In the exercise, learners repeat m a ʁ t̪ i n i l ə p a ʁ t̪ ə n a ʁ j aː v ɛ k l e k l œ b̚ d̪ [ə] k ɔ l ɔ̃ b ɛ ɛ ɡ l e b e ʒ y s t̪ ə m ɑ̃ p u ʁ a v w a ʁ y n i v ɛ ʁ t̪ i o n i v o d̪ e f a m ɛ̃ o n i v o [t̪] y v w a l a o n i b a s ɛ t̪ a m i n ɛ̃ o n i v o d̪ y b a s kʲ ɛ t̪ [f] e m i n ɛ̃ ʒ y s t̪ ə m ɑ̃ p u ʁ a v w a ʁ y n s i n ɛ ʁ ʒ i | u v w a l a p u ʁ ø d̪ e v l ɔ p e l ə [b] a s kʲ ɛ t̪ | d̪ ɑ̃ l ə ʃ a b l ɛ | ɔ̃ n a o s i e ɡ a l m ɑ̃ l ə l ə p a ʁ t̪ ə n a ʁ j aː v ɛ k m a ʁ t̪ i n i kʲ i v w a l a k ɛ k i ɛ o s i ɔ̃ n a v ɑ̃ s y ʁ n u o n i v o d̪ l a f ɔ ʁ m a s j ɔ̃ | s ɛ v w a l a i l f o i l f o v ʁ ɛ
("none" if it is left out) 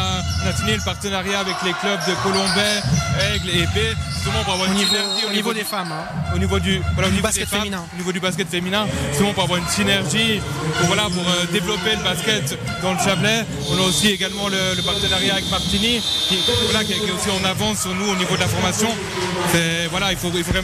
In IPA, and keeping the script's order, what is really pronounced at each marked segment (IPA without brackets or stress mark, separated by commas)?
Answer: ə, d̪, f, b